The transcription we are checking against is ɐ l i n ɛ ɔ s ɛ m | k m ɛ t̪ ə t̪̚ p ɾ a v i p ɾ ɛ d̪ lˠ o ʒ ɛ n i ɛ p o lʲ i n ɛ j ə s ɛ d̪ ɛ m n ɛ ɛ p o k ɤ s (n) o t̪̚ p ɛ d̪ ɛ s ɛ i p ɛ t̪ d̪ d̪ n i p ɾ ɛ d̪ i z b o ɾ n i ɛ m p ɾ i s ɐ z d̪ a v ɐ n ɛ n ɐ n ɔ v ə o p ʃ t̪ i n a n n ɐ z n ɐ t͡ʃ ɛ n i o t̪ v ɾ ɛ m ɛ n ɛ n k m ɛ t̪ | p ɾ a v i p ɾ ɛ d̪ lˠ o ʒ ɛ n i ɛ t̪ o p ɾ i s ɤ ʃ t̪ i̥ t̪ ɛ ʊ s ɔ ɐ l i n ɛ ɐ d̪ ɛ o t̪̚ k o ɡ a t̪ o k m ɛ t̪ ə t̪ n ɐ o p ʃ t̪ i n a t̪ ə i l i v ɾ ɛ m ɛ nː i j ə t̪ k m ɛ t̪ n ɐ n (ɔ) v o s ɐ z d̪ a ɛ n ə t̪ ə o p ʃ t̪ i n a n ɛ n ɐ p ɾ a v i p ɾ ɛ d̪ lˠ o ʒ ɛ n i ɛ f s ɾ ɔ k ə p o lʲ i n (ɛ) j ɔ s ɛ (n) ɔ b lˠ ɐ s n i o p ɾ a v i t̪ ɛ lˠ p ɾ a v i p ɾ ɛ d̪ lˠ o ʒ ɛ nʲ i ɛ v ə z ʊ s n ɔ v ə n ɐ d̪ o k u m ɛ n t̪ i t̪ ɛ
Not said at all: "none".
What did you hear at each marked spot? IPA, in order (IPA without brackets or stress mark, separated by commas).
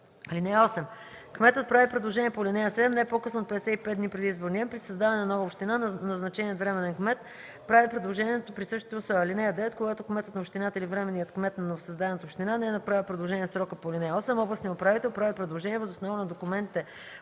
n, o, ɛ, m